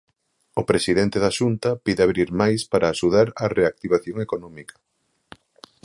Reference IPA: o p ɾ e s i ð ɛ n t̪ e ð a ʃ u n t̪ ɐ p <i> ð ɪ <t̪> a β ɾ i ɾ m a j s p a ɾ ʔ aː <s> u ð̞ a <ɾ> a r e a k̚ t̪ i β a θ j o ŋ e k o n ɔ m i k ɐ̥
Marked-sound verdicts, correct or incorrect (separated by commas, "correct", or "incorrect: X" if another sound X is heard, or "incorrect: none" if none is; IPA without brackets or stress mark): correct, incorrect: none, incorrect: ʃ, correct